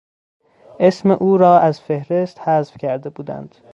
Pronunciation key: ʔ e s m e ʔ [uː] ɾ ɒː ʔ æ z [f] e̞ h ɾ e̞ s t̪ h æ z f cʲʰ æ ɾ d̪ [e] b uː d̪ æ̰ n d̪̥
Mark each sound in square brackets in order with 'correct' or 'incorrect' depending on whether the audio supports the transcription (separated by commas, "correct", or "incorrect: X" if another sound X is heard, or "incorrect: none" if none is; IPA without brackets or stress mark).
correct, correct, correct